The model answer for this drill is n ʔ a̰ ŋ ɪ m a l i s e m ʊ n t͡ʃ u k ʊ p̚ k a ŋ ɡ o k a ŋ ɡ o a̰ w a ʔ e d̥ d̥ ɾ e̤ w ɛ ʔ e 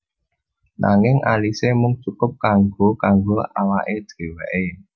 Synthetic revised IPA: n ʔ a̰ ŋ ɪ ŋ a l i s e m ʊ ŋ t͡ʃ u k ʊ p̚ k a ŋ ɡ o k a ŋ ɡ o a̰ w a ʔ e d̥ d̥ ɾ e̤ w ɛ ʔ e